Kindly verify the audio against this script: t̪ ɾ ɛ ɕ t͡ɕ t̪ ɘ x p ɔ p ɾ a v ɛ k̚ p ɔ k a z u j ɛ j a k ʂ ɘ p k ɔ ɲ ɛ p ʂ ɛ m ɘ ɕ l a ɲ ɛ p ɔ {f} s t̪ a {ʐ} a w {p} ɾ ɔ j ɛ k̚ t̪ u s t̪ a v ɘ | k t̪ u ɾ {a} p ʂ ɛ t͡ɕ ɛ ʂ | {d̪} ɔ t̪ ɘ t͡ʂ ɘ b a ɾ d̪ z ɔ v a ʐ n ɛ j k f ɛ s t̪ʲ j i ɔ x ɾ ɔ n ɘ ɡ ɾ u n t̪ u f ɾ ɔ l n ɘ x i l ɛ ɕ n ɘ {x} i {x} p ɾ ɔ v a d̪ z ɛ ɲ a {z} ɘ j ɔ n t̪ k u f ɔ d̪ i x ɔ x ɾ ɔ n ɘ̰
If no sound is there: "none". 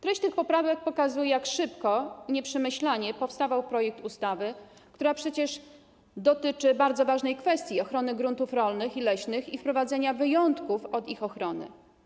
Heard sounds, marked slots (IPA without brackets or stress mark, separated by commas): f, v, p, a, d̪, x, f, v